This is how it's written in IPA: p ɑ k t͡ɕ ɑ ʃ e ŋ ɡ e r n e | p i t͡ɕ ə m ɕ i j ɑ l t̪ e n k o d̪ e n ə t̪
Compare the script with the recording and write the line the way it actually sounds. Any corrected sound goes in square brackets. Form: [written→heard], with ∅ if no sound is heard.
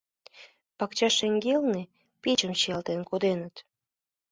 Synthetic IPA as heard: p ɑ k t͡ɕ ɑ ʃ e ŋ ɡ e [r→l] n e | p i t͡ɕ ə m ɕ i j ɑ l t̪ e n k o d̪ e n ə t̪